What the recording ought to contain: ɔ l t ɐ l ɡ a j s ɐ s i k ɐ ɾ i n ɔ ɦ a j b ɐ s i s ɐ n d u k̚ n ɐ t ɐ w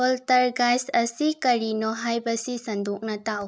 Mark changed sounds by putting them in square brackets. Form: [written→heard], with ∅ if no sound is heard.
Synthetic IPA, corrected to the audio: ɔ l t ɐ [l→ɾ] ɡ a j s ɐ s i k ɐ ɾ i n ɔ ɦ a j b ɐ s i s ɐ n d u k̚ n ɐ t [ɐ→a] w